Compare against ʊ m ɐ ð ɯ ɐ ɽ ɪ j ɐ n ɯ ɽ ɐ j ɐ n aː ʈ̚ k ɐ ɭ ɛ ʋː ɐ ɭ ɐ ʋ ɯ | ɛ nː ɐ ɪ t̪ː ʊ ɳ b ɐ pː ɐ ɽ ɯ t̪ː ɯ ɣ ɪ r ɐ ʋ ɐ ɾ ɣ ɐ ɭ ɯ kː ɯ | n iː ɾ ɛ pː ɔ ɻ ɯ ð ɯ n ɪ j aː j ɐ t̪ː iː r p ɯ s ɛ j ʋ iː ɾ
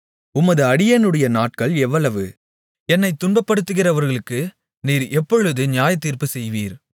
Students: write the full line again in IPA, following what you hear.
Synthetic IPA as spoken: ʊ m ɐ ð ɯ ɐ ɽ ɪ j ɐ n ɯ ɽ ɐ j ɐ n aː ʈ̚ k ɐ ɭ ɛ ʋː ɐ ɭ ɐ ʋ ɯ | ɛ nː ɐ ɪ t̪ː ʊ ɳ b ɐ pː ɐ ɽ ɯ t̪ː ɯ ɣ ɪ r ɐ ʋ ɐ ɾ ɣ ɐ ɭ ɯ kː ɯ | n iː ɾ ɛ pː ɔ ɻ ɯ ð ɯ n ɪ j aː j ɐ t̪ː iː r p ɯ s ɛ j ʋ iː ɾ